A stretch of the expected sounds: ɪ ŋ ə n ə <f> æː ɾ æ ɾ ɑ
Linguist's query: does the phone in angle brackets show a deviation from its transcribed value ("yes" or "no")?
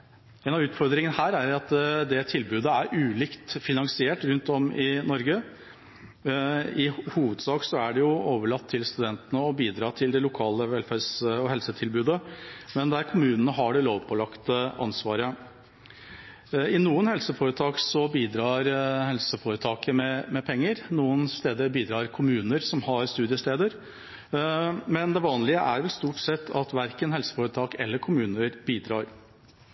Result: yes